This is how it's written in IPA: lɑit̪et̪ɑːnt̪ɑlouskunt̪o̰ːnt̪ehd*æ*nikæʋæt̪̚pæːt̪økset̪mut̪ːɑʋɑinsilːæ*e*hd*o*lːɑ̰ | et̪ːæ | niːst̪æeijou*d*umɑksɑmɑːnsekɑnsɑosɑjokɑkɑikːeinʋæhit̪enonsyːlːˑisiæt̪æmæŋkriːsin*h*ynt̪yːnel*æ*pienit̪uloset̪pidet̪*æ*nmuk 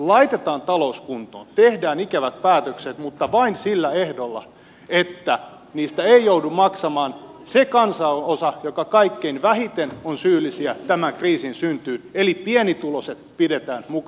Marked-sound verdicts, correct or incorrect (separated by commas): incorrect, correct, correct, correct, incorrect, incorrect, incorrect